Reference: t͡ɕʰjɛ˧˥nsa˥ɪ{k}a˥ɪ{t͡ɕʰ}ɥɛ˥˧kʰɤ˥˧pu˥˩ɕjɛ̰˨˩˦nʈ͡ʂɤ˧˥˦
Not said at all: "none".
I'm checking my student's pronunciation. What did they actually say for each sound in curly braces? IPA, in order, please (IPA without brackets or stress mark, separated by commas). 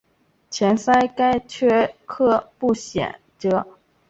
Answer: k, t͡ɕʰ